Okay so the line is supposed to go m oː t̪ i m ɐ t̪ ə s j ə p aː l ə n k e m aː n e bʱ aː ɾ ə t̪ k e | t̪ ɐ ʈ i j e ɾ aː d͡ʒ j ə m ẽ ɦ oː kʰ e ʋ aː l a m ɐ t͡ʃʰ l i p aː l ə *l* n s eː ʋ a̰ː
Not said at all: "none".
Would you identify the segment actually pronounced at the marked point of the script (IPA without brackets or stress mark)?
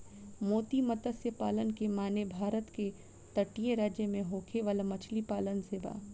none